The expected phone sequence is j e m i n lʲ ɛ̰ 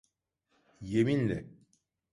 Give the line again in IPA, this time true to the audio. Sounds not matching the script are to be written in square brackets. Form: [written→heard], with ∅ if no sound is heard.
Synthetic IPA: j e m i n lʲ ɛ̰